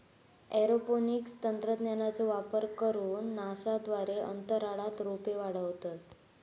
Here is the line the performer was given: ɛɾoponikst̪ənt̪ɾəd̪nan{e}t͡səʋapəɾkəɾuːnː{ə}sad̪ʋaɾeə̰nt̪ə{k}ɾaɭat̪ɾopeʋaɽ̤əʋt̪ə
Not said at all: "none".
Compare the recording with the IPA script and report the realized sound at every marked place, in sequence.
a, a, none

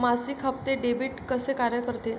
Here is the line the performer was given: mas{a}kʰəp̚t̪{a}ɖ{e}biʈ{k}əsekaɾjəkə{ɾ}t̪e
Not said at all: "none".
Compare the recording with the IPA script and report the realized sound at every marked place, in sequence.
i, e, e, k, ɾ

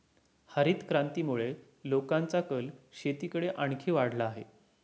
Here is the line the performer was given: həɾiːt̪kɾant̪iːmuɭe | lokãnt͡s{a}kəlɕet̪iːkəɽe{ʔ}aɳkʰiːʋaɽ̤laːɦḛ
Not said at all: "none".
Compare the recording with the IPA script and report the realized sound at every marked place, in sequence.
a, ʔ

